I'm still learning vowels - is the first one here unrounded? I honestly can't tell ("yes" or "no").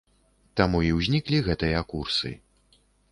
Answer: yes